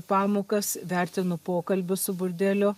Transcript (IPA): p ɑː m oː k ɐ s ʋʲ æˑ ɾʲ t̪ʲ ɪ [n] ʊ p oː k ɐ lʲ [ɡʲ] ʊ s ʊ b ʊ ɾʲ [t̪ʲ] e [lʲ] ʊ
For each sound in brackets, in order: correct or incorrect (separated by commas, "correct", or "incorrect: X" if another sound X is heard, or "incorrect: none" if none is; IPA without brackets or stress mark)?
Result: correct, incorrect: bʲ, incorrect: d̪ʲ, correct